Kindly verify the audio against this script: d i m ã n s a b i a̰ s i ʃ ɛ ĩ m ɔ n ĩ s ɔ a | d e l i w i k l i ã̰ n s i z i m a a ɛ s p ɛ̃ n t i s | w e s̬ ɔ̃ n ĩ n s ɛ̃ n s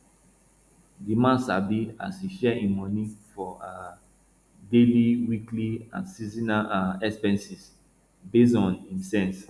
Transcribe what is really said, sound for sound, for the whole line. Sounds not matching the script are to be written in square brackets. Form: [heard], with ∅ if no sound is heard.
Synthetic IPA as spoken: d i m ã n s a b i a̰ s i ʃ ɛ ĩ m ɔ n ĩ [f] ɔ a | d e l i w i k l i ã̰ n s i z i [n] a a ɛ s p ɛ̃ n [s] i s | [b] e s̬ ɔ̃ n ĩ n s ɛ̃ n s